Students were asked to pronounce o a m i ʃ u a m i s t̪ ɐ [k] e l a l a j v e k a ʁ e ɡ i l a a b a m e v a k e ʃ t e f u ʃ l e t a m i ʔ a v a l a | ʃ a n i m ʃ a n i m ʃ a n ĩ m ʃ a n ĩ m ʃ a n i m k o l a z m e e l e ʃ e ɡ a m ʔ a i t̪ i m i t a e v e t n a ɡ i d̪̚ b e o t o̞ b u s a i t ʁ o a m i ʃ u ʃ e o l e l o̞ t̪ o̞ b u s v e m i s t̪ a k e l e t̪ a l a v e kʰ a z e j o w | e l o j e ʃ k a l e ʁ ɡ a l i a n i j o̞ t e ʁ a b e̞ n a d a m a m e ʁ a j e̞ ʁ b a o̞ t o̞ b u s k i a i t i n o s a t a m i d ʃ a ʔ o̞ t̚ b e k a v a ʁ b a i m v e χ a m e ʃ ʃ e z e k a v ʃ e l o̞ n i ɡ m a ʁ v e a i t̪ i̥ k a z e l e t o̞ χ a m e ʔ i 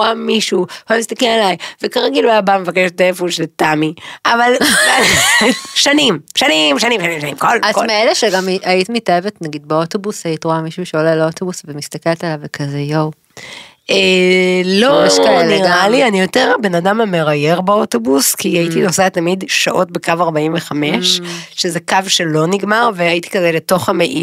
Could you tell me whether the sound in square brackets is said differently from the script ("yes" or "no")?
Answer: no